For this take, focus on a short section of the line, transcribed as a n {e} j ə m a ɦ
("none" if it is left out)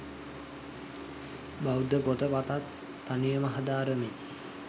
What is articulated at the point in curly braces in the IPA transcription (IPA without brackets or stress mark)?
i